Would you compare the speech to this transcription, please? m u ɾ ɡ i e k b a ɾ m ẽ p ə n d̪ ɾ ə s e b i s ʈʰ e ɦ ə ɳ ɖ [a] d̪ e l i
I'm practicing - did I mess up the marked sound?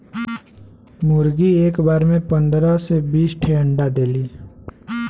no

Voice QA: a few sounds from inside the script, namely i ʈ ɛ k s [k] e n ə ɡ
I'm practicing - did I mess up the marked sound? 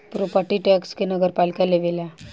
no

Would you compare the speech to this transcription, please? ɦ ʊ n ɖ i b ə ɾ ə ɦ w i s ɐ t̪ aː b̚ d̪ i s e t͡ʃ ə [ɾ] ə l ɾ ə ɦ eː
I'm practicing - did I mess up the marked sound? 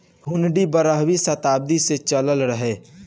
yes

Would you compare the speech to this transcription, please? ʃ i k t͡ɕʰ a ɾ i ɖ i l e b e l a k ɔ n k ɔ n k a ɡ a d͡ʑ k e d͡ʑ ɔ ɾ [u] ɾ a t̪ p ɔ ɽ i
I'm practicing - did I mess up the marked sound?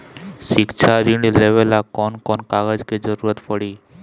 no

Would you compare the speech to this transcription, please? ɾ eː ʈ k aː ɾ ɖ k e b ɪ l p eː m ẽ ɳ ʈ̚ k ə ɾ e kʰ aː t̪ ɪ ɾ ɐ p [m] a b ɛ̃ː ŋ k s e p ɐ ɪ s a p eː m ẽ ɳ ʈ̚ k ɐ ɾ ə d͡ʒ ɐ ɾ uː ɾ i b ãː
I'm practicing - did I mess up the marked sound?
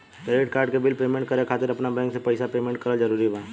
yes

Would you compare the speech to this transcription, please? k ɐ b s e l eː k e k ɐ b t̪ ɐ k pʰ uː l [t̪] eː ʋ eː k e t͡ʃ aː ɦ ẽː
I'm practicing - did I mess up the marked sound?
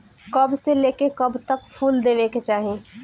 yes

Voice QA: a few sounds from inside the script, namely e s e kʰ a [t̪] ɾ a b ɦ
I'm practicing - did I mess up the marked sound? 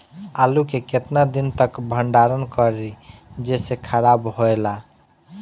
yes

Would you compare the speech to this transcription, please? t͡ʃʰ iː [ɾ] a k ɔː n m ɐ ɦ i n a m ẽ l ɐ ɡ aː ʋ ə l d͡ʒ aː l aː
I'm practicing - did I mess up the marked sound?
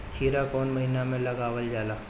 no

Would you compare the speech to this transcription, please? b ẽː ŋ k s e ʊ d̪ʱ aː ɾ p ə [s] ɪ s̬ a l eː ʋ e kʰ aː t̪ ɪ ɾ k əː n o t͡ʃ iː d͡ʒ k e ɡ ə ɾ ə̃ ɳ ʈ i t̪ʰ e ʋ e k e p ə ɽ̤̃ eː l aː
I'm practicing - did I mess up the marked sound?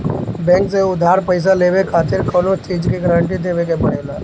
yes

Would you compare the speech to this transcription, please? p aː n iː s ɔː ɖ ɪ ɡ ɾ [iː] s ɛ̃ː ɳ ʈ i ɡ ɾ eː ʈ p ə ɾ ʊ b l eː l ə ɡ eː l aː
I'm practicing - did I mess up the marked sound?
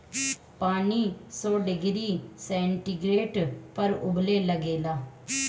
no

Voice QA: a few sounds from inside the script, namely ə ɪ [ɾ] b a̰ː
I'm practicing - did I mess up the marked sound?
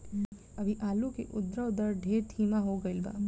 yes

